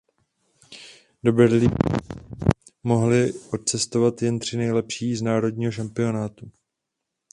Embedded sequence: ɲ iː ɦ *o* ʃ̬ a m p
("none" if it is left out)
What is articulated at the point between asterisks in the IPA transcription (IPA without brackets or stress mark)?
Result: o